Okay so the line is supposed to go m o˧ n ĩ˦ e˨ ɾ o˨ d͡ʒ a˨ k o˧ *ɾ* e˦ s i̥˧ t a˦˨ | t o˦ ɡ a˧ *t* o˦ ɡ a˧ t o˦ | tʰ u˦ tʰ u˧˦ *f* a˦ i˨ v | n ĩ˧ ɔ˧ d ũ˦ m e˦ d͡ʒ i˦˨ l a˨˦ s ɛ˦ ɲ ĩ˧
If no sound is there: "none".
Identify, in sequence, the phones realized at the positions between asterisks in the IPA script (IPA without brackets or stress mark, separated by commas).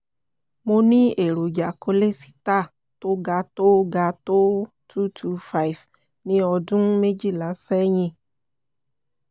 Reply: l, t, f